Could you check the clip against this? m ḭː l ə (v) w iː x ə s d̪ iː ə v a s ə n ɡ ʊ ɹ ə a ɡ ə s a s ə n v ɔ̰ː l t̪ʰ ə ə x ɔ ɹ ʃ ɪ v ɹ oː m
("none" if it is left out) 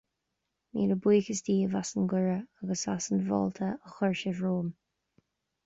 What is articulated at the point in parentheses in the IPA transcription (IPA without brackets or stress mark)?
b